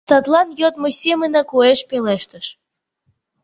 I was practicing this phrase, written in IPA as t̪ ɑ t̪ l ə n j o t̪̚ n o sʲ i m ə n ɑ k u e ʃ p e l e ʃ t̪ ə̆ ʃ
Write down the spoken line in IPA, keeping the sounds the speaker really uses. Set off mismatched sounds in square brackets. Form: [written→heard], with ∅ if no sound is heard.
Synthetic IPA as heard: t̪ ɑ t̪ l [ə→ɑ] n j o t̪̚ [n→m] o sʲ [i→e] m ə n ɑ k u e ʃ p e l e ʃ t̪ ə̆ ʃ